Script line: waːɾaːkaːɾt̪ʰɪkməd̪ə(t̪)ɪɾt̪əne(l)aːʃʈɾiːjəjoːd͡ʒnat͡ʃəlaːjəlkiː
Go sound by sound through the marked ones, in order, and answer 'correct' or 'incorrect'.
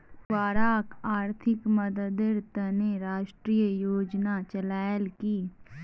incorrect: d̪, incorrect: ɾ

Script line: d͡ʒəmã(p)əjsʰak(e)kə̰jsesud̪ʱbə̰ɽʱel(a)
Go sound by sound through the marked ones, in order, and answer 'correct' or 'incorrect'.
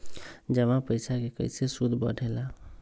correct, correct, correct

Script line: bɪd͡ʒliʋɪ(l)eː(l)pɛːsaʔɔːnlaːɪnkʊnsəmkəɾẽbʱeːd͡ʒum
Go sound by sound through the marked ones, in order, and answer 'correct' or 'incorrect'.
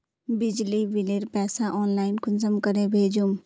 correct, incorrect: ɾ

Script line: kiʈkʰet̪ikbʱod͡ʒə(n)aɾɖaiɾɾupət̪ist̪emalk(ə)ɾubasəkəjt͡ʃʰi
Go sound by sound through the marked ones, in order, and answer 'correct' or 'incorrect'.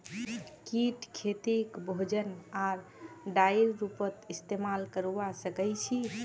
correct, correct

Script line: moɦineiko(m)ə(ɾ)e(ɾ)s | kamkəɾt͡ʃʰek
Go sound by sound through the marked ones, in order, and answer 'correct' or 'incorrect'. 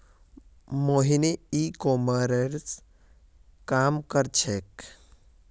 correct, correct, correct

